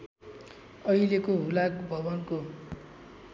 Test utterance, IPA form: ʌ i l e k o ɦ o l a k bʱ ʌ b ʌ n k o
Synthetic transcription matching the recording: ʌ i l e k o ɦ u l a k bʱ ʌ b ʌ n k o